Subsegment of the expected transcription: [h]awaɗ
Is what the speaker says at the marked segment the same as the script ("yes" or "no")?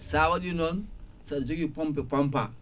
no